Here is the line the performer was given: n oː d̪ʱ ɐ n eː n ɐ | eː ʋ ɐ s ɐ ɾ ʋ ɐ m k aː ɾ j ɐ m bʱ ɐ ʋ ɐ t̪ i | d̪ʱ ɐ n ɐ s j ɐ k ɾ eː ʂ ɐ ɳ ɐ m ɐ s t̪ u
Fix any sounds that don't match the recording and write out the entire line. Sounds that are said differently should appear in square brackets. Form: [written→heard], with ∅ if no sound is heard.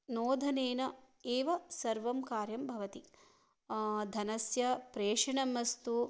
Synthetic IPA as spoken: n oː d̪ʱ ɐ n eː n ɐ | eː ʋ ɐ s ɐ ɾ ʋ ɐ m k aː ɾ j ɐ m bʱ ɐ ʋ ɐ t̪ i | d̪ʱ ɐ n ɐ s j ɐ [k→p] ɾ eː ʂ ɐ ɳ ɐ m ɐ s t̪ u

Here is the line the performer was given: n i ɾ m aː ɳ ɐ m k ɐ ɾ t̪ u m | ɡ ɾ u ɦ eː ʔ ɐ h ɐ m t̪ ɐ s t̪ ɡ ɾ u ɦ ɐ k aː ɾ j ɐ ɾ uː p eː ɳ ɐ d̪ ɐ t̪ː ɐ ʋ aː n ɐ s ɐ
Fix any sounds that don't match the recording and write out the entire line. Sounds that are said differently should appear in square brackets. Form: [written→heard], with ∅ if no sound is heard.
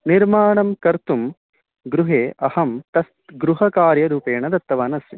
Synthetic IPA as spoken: n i ɾ m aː ɳ ɐ m k ɐ ɾ t̪ u m | ɡ ɾ u ɦ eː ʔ ɐ h ɐ m t̪ ɐ s t̪ ɡ ɾ u ɦ ɐ k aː ɾ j ɐ ɾ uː p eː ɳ ɐ d̪ ɐ t̪ː ɐ ʋ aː n ɐ s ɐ

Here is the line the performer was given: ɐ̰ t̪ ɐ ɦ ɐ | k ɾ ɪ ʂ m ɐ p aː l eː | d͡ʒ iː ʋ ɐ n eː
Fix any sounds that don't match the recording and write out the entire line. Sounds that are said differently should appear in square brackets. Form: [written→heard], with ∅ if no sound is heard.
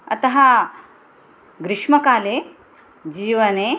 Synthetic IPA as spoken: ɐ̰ t̪ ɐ ɦ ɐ | [k→ɡ] ɾ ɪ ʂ m ɐ [p→k] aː l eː | d͡ʒ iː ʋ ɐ n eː

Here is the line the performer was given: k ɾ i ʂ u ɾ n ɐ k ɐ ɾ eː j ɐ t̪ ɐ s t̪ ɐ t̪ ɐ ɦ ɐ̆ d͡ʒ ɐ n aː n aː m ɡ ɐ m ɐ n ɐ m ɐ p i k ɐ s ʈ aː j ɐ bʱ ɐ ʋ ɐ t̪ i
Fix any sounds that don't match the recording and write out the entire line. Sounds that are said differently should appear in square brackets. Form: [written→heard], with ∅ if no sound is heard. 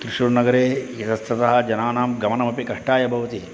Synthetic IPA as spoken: k ɾ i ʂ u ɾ n ɐ [k→ɡ] ɐ ɾ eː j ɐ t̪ ɐ s t̪ ɐ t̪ ɐ ɦ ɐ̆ d͡ʒ ɐ n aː n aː m ɡ ɐ m ɐ n ɐ m ɐ p i k ɐ [s→ʂ] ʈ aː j ɐ bʱ ɐ ʋ ɐ t̪ i

